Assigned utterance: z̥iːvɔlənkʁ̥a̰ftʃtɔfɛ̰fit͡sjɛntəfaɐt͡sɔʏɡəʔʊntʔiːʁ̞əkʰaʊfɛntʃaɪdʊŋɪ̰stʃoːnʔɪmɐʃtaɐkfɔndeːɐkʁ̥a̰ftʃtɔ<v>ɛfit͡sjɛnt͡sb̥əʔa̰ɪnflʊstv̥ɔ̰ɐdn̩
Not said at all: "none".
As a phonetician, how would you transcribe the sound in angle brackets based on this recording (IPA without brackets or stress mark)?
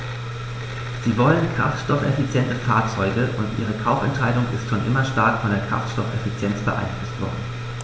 f